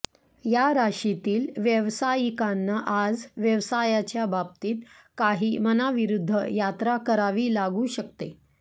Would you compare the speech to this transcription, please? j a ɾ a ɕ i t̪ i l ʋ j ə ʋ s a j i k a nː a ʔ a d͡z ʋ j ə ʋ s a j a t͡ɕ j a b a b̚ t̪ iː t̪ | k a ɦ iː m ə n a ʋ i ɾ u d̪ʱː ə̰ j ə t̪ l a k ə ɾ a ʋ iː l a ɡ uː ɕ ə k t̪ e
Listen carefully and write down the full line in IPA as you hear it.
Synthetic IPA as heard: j a ɾ a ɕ i t̪ iː l ʋ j ə ʋ s a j i k a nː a ʔ a d͡z ʋ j ə ʋ s a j a t͡ɕ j a b a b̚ t̪ iː t̪ | k a ɦ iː m ə n a ʋ i ɾ u d̪ʱː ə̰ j a t̪ ɾ a k ə ɾ a ʋ iː l a ɡ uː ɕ ə k t̪ e